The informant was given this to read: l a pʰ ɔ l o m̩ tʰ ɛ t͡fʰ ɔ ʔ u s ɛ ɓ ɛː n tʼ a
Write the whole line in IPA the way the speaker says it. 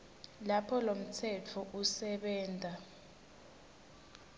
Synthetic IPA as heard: l a pʰ ɔ l o m̩ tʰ ɛ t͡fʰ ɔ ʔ u s ɛ ɓ ɛː n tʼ a